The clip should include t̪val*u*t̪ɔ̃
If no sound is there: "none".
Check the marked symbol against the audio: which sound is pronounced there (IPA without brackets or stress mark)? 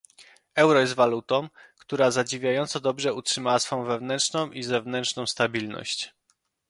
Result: u